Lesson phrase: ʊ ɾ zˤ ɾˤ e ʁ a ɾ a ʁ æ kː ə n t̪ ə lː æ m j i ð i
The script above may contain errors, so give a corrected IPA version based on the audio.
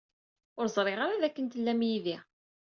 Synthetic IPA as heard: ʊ ɾ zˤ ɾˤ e ʁ a ɾ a ð æ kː ə n t̪ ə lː æ m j i ð i